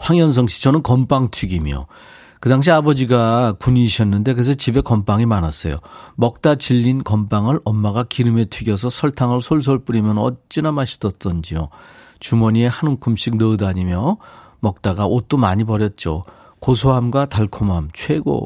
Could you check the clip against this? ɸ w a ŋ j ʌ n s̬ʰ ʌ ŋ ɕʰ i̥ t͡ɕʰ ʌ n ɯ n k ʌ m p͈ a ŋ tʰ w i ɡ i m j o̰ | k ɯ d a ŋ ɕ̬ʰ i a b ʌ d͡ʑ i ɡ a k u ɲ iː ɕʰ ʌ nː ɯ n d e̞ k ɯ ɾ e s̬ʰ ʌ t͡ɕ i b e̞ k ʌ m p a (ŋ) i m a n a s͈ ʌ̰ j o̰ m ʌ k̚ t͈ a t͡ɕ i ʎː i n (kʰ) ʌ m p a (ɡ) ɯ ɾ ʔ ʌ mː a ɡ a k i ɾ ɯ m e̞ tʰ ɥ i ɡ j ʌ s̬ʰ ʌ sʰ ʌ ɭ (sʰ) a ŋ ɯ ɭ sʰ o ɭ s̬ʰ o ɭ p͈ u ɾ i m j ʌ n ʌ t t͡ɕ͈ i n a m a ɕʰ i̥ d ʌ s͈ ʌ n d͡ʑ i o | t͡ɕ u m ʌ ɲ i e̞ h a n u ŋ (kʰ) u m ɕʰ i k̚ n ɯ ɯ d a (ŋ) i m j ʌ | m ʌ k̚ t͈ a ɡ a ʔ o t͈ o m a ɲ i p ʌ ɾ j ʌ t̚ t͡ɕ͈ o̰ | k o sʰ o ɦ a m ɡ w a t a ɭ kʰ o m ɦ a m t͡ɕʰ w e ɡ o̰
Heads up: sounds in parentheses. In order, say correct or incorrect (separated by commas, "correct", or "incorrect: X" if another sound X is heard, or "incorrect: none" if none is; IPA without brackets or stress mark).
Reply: correct, incorrect: k, incorrect: ŋ, incorrect: tʰ, correct, incorrect: ɲ